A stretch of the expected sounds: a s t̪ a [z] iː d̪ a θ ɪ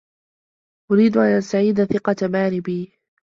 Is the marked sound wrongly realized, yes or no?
yes